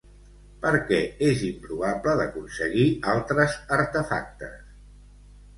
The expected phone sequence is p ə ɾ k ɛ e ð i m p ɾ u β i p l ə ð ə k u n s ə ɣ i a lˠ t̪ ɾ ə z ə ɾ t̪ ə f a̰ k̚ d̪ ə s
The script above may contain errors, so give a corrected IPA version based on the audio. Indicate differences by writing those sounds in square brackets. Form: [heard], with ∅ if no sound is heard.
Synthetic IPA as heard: p ə ɾ k ɛ e [z] i m p ɾ u β [a] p l ə ð ə k u n s ə ɣ i a lˠ t̪ ɾ ə z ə ɾ t̪ ə f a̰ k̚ [t̪] ə s